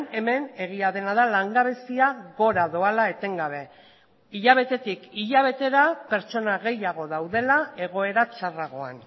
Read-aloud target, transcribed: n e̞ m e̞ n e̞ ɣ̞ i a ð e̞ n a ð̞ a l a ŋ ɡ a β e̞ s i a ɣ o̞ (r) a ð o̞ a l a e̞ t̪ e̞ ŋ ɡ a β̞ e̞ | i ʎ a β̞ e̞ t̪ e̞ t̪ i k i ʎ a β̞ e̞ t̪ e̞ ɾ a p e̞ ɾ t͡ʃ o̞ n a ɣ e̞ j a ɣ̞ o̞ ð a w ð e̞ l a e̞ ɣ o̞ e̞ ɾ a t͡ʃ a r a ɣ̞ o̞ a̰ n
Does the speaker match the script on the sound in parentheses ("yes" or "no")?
no